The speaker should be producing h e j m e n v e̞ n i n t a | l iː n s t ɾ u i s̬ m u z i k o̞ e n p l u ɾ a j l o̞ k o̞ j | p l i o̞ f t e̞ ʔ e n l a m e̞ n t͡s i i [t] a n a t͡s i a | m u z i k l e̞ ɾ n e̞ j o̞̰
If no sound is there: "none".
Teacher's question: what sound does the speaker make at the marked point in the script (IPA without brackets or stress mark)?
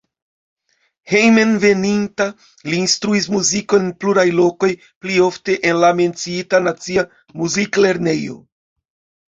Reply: t